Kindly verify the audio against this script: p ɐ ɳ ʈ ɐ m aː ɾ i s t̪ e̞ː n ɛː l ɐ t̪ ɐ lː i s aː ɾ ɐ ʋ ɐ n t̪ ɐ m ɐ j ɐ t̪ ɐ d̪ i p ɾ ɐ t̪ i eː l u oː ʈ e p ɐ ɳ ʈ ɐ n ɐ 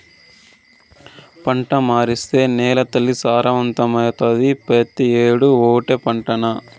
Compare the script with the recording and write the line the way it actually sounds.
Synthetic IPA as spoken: p ɐ ɳ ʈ ɐ m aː ɾ i s t̪ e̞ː n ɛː l ɐ t̪ ɐ lː i s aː ɾ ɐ ʋ ɐ n t̪ ɐ m ɐ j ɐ t̪ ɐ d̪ i p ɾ ɐ t̪ i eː ɽ u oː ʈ e p ɐ ɳ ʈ ɐ n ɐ